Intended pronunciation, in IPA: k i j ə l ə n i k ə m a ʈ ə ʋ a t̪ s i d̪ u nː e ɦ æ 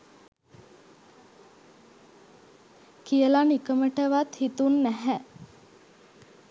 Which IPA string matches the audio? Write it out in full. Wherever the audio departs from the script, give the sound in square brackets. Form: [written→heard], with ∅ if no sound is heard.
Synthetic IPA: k i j ə l [ə→a] n i k ə m [a→ə] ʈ ə ʋ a t̪ [s→h] i [d̪→t̪] u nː [e→æ] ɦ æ